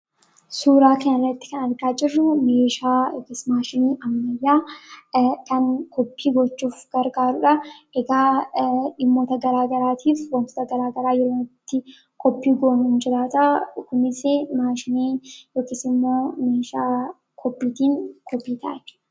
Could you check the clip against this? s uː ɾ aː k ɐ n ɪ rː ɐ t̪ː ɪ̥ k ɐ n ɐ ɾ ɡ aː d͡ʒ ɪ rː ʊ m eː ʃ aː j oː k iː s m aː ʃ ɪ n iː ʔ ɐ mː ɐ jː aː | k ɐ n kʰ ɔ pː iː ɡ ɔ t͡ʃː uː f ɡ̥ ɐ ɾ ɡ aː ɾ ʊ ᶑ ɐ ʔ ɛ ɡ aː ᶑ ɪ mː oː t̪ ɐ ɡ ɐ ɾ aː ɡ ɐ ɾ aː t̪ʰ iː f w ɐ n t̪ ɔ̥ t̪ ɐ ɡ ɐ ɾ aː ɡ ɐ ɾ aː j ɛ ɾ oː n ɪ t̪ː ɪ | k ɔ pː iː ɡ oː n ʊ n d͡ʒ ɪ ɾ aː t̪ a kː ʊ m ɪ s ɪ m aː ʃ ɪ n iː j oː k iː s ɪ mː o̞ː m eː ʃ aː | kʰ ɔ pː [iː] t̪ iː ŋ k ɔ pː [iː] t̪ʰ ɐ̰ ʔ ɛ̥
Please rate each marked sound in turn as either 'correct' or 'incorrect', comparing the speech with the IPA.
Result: correct, correct

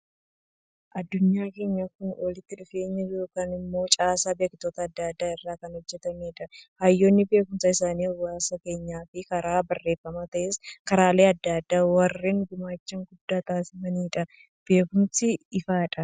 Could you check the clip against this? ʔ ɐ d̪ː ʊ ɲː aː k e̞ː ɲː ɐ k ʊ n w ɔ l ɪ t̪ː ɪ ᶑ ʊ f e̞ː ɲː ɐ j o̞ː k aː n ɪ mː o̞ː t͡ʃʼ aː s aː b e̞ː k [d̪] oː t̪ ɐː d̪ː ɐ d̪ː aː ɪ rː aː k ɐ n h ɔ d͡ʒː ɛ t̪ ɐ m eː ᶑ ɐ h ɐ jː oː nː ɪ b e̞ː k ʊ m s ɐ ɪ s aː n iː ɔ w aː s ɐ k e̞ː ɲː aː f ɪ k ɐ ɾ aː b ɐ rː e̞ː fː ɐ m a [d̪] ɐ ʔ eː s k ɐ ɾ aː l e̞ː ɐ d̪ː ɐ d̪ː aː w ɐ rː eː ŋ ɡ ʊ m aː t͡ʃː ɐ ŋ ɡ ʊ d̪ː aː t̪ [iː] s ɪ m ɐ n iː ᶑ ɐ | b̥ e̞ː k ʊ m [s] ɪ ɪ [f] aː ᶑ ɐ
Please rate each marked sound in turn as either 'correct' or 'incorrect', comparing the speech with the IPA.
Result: incorrect, incorrect, incorrect, correct, correct

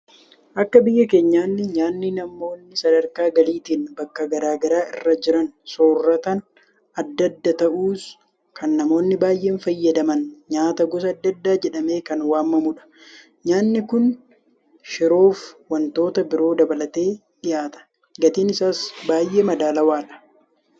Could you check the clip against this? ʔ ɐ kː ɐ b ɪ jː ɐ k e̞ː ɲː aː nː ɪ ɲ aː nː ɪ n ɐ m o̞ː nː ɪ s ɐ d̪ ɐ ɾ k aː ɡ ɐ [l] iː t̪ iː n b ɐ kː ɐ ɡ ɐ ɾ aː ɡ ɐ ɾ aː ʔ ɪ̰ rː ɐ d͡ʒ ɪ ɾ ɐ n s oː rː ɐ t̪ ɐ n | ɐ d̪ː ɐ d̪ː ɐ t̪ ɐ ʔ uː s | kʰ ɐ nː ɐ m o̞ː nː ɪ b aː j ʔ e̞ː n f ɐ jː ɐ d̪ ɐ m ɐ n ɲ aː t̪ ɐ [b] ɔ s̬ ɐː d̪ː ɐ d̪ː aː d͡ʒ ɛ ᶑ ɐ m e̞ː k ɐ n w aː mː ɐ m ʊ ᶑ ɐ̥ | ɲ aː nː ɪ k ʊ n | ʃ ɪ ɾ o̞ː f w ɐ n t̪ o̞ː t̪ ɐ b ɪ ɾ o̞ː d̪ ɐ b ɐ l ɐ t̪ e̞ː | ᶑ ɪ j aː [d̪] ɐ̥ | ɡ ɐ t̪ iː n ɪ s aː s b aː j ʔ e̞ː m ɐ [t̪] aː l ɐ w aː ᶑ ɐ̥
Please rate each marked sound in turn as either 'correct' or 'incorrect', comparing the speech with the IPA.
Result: correct, incorrect, incorrect, incorrect

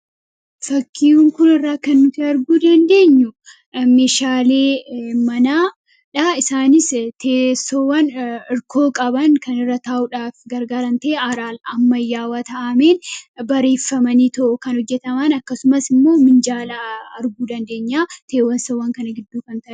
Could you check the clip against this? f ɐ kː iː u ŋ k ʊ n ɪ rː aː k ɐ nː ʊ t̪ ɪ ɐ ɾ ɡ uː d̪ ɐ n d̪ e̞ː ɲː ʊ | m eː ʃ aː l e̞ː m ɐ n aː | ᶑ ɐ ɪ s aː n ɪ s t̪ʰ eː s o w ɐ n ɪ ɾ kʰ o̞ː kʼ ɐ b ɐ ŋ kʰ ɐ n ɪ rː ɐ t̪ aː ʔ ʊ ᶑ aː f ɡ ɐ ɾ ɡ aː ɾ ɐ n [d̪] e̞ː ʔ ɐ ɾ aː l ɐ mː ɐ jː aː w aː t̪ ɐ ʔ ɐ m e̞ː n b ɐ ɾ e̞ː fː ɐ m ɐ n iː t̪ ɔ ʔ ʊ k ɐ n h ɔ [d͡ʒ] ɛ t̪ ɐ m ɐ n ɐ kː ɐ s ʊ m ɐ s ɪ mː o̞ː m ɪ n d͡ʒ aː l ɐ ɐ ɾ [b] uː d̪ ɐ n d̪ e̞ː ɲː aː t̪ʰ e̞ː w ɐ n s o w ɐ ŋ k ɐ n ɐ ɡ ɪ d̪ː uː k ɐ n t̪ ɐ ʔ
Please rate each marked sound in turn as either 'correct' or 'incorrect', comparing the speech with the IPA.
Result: incorrect, incorrect, incorrect

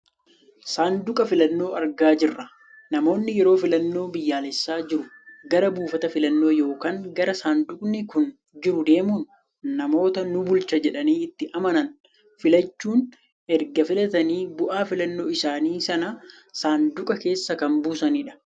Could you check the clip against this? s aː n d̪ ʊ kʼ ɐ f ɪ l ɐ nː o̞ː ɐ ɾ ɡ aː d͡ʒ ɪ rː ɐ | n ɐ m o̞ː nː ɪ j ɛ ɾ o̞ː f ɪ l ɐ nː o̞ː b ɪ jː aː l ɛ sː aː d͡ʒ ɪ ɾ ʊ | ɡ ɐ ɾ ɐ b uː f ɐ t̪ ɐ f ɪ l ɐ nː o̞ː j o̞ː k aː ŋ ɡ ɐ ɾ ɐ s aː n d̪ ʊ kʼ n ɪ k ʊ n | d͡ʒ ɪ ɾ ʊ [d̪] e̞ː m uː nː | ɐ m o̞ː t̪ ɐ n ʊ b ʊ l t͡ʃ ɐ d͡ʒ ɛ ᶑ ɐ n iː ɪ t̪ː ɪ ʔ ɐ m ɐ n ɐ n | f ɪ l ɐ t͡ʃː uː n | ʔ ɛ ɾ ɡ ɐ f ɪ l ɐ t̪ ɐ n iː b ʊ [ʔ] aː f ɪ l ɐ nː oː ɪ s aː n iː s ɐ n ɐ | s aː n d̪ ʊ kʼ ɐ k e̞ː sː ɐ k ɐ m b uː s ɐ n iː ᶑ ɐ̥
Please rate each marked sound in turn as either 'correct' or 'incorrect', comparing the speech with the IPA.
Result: correct, correct

